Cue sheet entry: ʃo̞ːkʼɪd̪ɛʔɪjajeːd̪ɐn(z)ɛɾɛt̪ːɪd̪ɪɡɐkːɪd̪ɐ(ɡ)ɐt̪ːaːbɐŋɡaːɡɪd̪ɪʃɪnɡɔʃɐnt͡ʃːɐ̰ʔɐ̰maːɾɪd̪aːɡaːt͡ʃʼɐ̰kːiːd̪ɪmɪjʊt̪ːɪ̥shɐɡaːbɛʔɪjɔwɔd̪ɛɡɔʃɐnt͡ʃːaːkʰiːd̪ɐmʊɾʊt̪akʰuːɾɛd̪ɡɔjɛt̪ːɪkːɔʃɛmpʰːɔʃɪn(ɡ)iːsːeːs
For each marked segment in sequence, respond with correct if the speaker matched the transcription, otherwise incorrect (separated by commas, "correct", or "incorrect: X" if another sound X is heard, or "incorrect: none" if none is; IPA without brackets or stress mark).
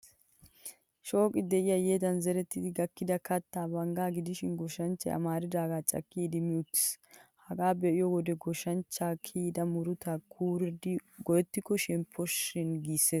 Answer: correct, incorrect: k, correct